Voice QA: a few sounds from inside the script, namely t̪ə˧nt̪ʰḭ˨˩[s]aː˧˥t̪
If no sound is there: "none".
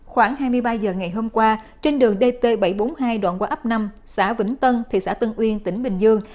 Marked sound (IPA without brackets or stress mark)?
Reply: s